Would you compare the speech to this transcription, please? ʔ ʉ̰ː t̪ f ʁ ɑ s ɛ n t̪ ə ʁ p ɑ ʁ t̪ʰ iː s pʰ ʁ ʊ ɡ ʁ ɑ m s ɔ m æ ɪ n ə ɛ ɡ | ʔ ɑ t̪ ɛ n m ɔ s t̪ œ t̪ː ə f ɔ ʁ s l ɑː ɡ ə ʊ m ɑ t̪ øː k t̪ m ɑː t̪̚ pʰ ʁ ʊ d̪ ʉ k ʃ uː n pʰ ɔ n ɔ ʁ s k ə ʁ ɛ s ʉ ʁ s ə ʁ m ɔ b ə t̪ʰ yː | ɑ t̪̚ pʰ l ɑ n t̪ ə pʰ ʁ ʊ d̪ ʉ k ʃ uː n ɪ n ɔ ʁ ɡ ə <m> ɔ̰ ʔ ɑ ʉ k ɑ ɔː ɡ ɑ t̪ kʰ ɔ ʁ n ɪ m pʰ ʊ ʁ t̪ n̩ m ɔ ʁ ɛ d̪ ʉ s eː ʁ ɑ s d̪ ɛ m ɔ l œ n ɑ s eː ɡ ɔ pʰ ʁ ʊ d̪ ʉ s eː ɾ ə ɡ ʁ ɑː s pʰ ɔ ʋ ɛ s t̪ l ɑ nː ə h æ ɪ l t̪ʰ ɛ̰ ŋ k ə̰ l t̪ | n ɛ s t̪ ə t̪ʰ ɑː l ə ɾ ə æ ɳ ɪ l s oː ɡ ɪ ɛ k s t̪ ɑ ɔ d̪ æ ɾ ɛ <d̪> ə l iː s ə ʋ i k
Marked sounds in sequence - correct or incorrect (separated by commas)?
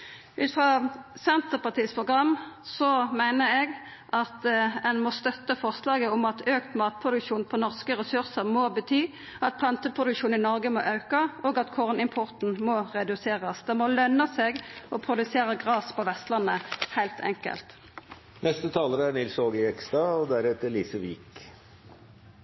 correct, incorrect